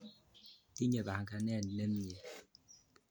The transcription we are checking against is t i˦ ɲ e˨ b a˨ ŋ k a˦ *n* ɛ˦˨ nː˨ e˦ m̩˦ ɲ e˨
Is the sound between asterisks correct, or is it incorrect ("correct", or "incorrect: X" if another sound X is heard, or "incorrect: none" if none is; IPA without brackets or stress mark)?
correct